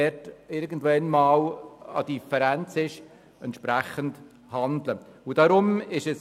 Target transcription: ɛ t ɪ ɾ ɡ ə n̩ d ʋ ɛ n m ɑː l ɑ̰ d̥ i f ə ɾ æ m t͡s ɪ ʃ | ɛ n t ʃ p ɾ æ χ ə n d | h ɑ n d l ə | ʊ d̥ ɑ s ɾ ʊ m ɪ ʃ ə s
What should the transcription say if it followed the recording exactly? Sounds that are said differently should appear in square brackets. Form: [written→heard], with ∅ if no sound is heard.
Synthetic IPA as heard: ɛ t ɪ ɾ ɡ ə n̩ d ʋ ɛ n m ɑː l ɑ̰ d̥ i f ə ɾ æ [m→n] t͡s ɪ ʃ | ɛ n t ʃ p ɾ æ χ ə n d | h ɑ n d l ə | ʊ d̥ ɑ [s→∅] ɾ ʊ m ɪ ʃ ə s